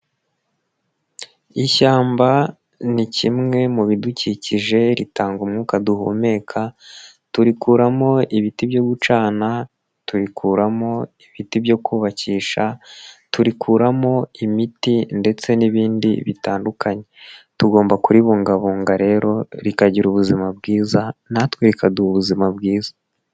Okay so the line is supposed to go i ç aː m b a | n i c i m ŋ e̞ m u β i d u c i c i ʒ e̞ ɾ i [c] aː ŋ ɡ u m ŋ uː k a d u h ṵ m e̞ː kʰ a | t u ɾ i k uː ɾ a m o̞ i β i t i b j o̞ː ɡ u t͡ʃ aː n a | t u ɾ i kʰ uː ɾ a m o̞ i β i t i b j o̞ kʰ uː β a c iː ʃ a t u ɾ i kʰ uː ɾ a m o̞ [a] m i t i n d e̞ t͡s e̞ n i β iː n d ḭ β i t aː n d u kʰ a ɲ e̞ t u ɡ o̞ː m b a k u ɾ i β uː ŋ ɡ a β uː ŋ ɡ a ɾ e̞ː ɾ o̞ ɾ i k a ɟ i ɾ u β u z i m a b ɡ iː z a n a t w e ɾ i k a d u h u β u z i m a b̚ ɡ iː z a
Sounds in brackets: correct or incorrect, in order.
incorrect: t, incorrect: i

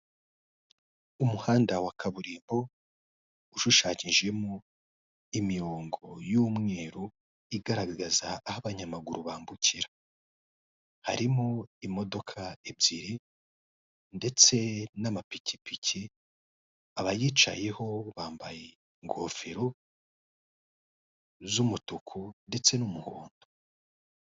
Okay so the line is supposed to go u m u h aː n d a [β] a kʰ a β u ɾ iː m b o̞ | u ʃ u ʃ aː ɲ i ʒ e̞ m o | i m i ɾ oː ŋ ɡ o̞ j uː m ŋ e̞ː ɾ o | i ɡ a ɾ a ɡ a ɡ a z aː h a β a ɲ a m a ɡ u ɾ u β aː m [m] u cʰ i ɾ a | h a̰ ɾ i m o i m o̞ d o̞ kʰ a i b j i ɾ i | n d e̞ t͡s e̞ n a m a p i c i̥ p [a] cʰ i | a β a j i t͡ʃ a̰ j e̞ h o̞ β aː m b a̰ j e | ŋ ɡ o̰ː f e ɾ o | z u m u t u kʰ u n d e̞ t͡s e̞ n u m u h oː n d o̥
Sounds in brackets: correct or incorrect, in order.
incorrect: w, incorrect: b, incorrect: i

